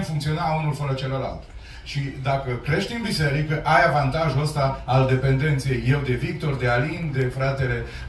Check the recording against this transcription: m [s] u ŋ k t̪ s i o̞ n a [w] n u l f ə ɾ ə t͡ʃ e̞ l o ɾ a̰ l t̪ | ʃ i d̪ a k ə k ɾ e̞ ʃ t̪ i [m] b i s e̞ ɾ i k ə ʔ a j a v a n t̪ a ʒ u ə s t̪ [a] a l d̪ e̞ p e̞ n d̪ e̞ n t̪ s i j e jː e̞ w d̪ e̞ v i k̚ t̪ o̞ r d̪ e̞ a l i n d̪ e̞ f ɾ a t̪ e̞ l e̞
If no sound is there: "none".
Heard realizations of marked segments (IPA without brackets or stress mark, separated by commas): f, u, n, a